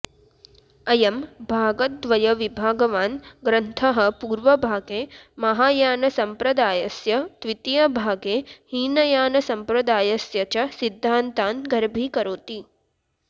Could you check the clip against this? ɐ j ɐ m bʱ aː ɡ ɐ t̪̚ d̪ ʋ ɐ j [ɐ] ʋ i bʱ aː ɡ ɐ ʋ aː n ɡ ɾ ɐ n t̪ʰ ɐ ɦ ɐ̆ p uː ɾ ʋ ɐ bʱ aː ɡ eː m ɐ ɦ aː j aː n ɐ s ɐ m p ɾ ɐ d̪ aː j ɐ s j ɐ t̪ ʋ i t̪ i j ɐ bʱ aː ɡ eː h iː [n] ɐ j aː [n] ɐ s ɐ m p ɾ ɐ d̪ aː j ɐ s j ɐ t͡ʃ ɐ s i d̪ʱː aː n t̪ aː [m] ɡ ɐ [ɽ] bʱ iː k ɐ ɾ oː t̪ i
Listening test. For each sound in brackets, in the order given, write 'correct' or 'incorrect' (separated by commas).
correct, correct, correct, incorrect, incorrect